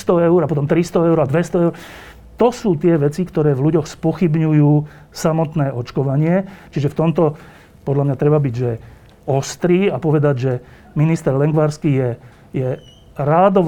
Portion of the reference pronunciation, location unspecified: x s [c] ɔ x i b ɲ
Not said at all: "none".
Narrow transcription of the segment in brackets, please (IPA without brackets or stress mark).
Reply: p